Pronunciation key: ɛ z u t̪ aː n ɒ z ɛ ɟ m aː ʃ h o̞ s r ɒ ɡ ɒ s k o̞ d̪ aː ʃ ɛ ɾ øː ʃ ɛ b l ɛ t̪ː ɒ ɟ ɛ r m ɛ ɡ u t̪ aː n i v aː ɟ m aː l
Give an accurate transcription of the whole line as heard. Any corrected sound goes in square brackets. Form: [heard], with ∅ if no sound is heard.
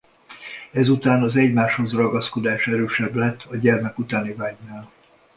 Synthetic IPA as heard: ɛ z u t̪ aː n ɒ z ɛ ɟ m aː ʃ h o̞ [z] r ɒ ɡ ɒ s k o̞ d̪ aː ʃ ɛ ɾ øː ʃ ɛ b l ɛ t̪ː ɒ ɟ ɛ r m ɛ [k] u t̪ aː n i v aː ɟ [n] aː l